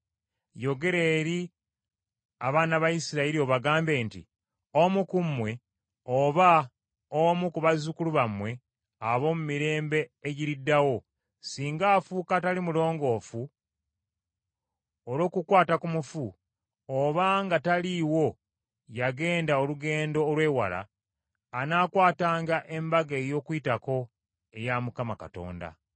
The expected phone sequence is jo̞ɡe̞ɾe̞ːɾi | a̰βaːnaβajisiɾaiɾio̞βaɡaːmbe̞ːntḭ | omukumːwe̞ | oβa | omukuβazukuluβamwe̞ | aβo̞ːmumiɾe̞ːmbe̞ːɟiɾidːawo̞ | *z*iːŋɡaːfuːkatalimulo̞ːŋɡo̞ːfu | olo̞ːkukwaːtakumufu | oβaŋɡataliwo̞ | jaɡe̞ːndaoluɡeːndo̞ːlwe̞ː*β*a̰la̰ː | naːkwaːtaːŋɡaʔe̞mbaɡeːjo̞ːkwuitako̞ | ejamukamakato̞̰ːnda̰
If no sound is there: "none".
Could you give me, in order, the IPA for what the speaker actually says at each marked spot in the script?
s, w

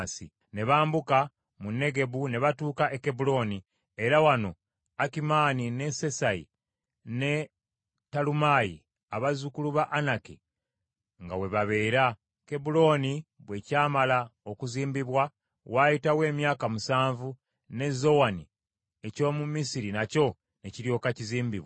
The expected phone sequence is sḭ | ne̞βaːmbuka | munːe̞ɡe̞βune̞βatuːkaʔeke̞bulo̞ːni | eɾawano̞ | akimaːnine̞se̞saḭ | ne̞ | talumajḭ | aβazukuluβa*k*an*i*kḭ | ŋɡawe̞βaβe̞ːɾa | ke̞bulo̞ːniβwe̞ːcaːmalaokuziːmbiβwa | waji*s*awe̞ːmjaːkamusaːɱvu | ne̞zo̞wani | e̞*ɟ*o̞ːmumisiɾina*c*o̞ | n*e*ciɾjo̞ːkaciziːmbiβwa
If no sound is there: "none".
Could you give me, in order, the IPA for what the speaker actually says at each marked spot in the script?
ʔ, a, t, c, c, e

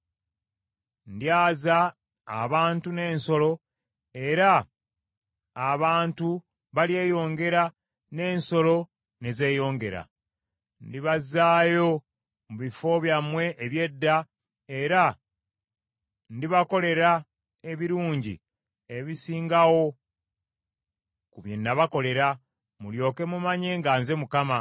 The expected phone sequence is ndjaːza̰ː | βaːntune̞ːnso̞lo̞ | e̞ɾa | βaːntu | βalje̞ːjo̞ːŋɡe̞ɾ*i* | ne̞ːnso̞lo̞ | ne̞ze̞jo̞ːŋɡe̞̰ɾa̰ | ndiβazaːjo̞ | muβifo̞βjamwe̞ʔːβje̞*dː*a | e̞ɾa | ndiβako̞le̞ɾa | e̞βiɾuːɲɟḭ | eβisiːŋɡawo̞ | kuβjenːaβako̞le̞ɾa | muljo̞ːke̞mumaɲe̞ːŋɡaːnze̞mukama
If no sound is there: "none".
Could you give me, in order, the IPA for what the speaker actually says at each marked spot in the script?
a, dː

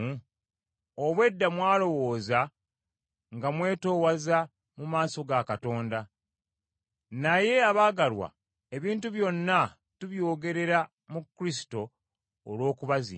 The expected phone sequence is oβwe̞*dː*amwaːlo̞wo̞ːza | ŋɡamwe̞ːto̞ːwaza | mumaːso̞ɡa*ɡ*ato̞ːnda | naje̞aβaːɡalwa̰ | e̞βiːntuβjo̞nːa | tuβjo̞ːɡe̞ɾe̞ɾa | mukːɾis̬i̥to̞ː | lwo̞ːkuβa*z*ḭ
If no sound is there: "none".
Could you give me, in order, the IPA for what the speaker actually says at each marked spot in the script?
dː, k, z

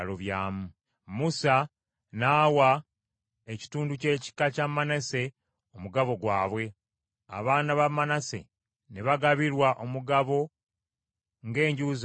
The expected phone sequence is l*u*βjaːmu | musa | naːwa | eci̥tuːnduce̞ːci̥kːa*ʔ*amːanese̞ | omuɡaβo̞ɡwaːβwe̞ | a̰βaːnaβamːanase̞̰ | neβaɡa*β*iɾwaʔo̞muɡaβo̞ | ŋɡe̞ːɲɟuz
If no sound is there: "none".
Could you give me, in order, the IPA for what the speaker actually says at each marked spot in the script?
o, c, β

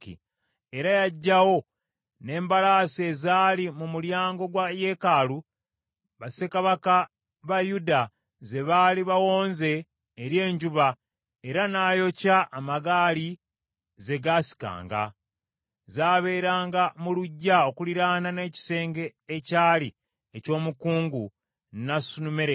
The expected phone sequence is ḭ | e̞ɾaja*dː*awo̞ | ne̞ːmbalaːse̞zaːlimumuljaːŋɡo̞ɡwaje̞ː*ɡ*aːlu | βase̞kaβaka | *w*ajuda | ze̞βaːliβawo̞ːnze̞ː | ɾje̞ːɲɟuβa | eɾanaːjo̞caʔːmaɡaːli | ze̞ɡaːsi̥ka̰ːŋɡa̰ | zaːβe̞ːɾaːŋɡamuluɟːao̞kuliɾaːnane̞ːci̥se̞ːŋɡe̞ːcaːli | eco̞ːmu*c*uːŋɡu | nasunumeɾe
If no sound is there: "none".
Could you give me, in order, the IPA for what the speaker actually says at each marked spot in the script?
ɟː, k, β, k

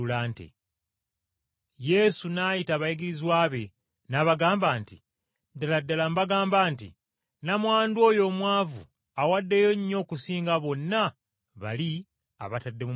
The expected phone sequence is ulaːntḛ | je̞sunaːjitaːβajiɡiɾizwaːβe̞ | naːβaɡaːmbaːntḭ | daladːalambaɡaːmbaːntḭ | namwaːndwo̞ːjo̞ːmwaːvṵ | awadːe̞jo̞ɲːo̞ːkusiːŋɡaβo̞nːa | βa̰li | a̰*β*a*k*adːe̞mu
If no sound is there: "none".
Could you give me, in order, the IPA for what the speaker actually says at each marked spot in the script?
β, t

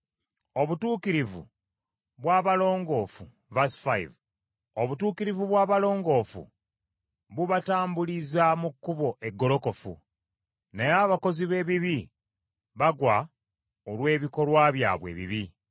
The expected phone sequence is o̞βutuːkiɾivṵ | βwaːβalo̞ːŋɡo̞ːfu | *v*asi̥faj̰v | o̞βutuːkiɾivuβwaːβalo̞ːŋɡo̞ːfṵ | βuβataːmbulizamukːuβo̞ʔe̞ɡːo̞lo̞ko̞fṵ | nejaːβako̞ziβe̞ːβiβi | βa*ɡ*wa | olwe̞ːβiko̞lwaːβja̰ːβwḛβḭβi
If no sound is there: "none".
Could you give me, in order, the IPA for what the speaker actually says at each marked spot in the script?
v, ɡ

